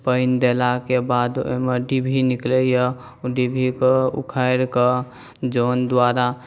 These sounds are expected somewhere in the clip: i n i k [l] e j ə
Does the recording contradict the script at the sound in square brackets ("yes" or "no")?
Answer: no